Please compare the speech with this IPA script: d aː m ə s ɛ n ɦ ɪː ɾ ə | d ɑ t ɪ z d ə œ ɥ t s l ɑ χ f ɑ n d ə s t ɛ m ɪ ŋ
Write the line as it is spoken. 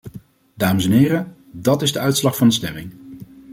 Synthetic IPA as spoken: d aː m ə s ɛ n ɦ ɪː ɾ ə | d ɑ t ɪ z d ə œ ɥ t s l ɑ χ f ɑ n d ə s t ɛ m ɪ ŋ